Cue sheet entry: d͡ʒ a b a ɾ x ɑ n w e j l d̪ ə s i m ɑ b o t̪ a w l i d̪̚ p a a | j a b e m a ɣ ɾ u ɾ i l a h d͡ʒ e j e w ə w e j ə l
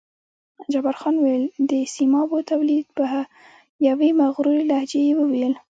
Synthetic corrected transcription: d͡ʒ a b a ɾ x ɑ n w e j l d̪ ə s i m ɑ b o t̪ a w l i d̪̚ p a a | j a w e m a ɣ ɾ u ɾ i l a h d͡ʒ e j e w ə w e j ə l